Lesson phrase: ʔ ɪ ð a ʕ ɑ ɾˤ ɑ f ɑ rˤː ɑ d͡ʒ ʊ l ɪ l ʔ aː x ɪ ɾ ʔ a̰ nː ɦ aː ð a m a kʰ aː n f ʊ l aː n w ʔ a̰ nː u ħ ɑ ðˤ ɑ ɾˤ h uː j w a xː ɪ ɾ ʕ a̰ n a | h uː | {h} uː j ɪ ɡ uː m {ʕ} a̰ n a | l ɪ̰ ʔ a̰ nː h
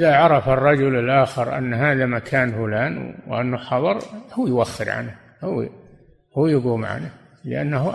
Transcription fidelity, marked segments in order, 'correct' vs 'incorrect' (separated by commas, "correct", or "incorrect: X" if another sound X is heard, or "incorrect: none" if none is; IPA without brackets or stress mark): correct, correct